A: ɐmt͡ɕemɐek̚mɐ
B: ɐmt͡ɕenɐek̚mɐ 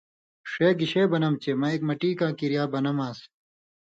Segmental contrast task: A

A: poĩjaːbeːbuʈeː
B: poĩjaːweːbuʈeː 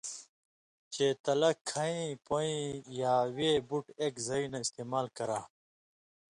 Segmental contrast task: B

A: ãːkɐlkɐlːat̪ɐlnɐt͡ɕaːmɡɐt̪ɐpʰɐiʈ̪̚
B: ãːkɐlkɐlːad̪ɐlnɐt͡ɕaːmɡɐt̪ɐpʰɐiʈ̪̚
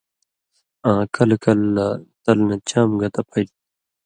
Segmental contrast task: A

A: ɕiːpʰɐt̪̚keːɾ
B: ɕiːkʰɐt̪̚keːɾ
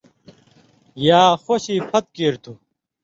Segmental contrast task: A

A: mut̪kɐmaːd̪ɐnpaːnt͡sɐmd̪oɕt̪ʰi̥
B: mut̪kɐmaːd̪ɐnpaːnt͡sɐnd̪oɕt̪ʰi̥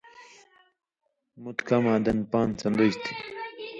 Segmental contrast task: B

